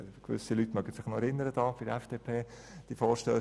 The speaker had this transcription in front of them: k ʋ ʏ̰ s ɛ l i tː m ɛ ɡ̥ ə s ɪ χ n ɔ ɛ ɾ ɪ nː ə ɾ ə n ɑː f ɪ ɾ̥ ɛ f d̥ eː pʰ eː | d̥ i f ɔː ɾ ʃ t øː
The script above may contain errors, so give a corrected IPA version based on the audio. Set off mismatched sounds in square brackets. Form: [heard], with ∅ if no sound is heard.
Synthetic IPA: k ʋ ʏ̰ s [i] l [y] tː m [œ] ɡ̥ ə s ɪ χ n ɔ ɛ ɾ ɪ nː ə ɾ ə [d] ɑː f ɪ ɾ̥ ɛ f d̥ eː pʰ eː | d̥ i f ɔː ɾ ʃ t øː